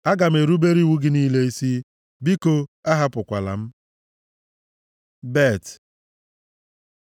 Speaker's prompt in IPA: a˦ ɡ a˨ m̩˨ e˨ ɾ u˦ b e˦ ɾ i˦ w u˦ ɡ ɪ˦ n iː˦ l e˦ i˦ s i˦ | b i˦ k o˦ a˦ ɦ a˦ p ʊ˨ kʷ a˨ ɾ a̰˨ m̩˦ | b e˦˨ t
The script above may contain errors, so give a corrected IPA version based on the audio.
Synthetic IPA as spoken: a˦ ɡ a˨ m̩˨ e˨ ɾ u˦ b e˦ ɾ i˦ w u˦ ɡ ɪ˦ n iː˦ l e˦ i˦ s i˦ | b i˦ k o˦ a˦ ɦ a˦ p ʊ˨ kʷ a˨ l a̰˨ m̩˦ | b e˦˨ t